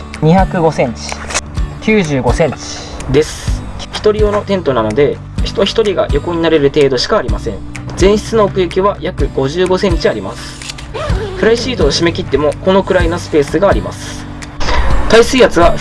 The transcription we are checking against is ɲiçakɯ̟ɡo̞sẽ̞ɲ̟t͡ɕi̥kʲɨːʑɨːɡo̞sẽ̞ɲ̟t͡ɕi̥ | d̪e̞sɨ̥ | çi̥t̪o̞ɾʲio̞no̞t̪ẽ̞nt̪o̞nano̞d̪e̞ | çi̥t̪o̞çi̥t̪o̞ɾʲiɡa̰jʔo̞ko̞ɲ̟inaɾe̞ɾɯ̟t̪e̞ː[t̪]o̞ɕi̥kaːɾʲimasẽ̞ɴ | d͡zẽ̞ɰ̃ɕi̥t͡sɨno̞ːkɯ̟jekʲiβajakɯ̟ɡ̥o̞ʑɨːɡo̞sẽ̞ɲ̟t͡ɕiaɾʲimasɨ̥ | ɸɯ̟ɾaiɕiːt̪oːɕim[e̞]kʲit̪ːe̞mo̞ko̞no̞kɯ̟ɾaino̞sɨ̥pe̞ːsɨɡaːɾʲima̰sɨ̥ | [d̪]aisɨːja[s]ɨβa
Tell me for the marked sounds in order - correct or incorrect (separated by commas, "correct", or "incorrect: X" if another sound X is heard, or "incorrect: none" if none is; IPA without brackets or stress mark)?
incorrect: d̪, correct, incorrect: t̪, incorrect: t͡s